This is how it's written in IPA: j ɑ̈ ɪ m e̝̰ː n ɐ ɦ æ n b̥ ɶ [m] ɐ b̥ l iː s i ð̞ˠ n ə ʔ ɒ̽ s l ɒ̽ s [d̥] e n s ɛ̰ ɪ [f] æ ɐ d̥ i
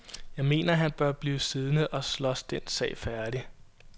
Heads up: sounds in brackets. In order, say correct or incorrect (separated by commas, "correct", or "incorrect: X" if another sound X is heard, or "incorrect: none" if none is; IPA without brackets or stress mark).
incorrect: none, correct, correct